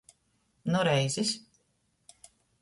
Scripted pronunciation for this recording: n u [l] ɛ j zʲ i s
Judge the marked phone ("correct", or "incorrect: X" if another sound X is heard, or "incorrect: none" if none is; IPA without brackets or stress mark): incorrect: ɾ